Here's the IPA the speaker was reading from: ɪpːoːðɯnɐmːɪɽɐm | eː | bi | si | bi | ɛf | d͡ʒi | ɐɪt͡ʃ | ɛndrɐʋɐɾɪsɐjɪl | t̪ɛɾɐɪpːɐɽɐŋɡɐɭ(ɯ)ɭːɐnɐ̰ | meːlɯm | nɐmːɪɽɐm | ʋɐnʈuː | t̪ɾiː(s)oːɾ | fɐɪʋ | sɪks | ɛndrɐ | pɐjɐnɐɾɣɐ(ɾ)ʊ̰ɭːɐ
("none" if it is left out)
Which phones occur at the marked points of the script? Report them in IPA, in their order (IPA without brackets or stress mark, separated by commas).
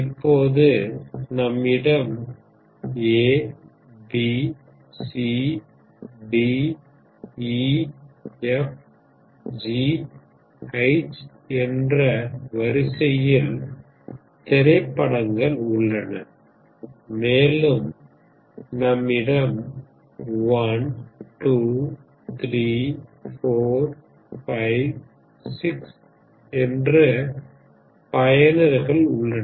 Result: ʊ, f, ɭ